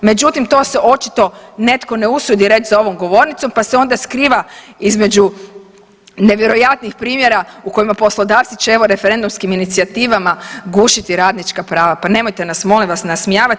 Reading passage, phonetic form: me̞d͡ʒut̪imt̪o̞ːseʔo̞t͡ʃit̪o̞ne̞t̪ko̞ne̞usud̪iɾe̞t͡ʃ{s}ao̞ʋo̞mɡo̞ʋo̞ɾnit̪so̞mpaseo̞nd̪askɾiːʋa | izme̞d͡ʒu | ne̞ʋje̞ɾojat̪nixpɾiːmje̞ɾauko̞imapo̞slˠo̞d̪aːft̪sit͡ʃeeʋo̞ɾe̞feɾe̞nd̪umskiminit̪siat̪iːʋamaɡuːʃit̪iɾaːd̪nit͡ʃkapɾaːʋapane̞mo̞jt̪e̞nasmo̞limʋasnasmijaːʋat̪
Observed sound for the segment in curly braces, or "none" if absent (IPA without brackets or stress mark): z